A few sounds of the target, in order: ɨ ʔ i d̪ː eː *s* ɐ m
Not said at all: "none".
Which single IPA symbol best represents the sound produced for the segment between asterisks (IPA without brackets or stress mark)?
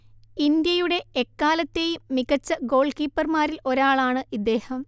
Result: h